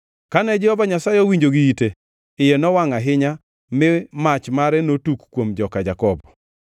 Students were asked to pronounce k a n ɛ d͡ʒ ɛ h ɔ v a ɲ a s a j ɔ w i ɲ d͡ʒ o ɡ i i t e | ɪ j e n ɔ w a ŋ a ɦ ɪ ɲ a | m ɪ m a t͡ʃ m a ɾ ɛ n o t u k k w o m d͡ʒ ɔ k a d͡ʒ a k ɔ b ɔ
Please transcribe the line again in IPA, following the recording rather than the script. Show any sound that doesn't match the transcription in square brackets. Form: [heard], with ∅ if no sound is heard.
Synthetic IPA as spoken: k a n ɛ d͡ʒ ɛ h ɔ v a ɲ a s a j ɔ w i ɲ d͡ʒ o ɡ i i t e | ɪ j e n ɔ w a ŋ a ɦ ɪ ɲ a | m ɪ m a t͡ʃ m a ɾ ɛ n o t u k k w o m d͡ʒ ɔ k a d͡ʒ a k ɔ b ɔ